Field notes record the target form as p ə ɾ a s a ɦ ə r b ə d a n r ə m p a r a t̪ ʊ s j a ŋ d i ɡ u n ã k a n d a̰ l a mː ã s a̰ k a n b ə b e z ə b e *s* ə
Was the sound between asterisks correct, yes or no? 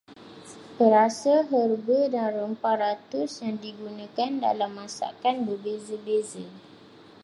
no